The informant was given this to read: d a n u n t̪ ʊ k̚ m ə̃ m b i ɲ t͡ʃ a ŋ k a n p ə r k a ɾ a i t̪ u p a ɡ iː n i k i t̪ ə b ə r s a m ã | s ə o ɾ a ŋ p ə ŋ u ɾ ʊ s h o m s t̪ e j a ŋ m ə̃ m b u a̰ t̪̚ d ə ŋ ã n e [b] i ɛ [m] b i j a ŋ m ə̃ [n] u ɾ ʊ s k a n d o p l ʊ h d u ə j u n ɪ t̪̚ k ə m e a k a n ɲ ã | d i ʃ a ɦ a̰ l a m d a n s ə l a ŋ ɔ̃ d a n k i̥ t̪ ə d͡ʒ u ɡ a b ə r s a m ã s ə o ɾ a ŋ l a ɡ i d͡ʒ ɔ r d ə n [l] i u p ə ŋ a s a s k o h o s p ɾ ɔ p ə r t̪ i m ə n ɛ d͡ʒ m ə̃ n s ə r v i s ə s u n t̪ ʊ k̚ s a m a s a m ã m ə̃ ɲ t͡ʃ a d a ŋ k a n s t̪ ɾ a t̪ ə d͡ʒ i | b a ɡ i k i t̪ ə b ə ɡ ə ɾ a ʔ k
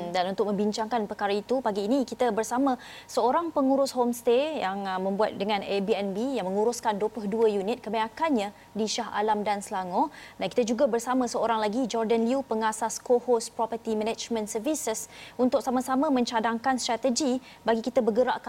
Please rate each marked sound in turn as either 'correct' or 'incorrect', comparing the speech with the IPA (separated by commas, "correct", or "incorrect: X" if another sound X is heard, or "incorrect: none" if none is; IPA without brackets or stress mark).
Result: correct, incorrect: n, incorrect: ŋ, correct